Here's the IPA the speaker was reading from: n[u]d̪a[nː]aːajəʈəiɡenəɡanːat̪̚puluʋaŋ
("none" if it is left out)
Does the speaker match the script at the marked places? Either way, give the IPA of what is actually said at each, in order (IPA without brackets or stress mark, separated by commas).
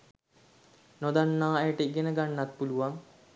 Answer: o, nː